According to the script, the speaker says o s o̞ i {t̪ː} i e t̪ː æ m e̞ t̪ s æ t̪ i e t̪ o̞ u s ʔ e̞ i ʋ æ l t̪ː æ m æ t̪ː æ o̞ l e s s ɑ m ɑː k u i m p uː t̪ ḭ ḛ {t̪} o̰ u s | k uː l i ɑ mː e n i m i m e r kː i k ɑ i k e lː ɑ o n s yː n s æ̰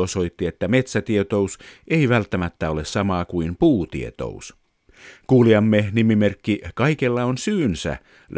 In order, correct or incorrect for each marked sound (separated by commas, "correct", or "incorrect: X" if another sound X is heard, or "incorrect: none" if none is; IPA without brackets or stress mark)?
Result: correct, correct